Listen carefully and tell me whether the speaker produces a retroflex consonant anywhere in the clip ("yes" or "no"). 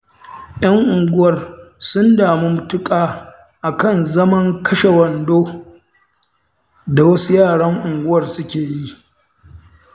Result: yes